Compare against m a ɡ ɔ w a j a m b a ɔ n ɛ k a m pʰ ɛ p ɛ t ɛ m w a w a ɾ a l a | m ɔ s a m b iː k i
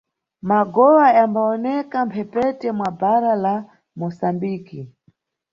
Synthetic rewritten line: m a ɡ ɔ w a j a m b a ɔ n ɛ k a m pʰ ɛ p ɛ t ɛ m w a b a ɾ a l a | m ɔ s a m b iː k i